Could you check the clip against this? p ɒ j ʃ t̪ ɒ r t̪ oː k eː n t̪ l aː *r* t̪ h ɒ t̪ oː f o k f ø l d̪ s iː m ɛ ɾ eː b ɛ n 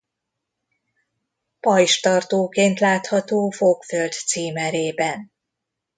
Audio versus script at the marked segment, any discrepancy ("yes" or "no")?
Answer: yes